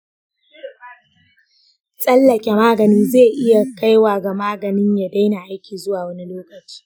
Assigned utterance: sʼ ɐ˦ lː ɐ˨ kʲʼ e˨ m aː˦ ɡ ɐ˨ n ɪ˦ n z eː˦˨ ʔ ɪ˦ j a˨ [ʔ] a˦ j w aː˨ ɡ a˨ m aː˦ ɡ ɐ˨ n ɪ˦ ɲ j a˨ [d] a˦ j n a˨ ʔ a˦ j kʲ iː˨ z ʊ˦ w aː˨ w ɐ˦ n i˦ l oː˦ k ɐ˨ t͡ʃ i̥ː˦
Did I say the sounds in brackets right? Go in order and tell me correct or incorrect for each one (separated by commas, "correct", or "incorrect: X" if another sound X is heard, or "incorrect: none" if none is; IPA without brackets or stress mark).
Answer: incorrect: k, correct